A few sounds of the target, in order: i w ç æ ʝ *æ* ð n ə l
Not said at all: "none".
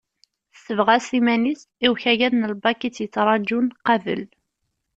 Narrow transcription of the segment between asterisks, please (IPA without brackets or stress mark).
æ